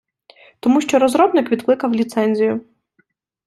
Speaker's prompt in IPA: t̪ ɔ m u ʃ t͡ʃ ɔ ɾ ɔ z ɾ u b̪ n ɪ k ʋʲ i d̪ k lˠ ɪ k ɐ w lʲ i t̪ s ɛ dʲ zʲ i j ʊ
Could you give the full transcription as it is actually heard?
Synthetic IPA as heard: t̪ ɔ m u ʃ t͡ʃ ɔ ɾ ɔ z ɾ ɔ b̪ n ɪ k ʋʲ i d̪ k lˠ ɪ k ɐ w lʲ i t̪ s ɛ nʲ zʲ i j ʊ